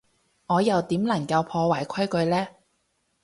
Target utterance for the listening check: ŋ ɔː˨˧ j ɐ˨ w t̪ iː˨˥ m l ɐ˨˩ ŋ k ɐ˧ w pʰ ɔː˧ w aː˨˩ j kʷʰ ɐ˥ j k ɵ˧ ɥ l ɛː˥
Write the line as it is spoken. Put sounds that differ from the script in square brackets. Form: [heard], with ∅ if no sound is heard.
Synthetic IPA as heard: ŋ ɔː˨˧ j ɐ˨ w t̪ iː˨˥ m l ɐ˨˩ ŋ k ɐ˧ w pʰ ɔː˧ w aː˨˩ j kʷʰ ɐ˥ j k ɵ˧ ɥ l ɛː˥